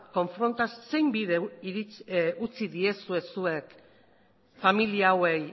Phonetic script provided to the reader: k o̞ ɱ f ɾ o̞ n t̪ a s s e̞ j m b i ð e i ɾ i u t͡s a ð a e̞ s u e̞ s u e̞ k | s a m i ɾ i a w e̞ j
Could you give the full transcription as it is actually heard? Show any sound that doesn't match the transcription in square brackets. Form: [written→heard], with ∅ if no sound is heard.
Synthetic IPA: k o̞ ɱ f ɾ o̞ n t̪ a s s e̞ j m b i ð e i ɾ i u t͡s [a→i] ð [a→i] e̞ s u e̞ s u e̞ k | [s→f] a m i [ɾ→l] i a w e̞ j